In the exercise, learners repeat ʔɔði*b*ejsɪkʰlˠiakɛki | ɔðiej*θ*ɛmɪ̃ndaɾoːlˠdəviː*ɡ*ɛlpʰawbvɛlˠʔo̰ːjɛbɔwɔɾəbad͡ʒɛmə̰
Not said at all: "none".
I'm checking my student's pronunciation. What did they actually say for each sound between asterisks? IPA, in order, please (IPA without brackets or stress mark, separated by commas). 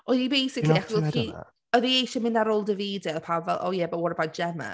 b, ʃ, d